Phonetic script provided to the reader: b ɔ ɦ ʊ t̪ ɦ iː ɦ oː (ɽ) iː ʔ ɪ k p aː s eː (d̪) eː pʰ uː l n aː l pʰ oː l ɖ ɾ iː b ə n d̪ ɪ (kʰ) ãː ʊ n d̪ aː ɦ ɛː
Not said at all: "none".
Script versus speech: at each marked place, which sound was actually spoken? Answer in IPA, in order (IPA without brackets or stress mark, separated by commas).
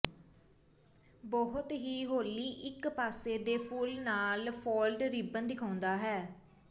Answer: l, d̪, kʰ